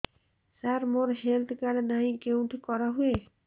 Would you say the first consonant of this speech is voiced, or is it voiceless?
voiceless